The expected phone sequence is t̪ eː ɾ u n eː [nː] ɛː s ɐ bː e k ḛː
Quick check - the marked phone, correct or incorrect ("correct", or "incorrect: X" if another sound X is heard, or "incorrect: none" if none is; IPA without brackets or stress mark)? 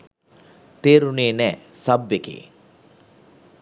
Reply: incorrect: n